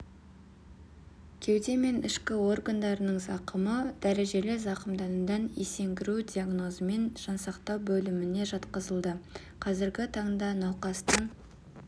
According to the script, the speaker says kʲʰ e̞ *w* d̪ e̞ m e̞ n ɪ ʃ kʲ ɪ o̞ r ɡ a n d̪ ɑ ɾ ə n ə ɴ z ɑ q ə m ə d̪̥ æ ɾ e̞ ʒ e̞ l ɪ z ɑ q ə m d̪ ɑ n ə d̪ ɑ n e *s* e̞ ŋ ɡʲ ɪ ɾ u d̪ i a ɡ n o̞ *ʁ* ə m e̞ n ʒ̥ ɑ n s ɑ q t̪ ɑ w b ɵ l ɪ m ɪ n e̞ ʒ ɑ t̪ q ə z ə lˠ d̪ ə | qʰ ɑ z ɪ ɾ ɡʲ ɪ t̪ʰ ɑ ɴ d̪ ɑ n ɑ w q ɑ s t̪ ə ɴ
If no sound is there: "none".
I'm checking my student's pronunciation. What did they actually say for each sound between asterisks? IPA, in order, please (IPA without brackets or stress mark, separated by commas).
w, s, z